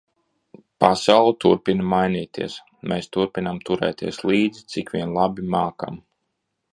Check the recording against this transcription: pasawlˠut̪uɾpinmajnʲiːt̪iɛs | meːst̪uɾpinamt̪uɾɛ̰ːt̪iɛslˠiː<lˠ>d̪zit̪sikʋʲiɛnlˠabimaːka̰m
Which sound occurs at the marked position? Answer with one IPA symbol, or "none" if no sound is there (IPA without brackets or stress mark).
none